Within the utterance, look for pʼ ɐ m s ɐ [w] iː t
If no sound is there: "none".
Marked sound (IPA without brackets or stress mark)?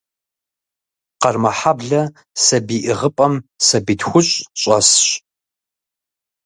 b